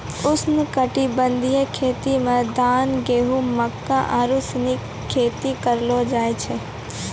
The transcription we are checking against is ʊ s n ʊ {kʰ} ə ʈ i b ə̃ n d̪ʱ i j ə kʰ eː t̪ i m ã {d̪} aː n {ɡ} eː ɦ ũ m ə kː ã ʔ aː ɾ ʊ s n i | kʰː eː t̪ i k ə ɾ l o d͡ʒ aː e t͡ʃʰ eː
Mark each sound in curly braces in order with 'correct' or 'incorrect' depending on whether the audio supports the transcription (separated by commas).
incorrect, correct, correct